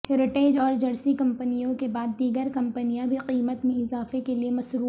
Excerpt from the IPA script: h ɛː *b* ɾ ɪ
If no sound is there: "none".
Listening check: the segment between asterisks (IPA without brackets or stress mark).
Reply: none